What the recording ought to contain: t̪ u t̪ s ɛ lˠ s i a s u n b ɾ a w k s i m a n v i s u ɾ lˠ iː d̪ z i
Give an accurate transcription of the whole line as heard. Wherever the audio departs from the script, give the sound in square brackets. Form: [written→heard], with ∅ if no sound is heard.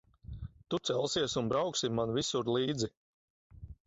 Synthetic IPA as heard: t̪ u t̪ s ɛ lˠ s i [a→ɛ] s u n b ɾ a w k s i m a n v i s u ɾ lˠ iː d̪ z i